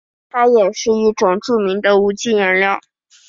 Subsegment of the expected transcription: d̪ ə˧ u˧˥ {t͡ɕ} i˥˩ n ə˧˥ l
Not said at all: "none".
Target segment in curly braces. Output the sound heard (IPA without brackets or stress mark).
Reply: t͡ɕ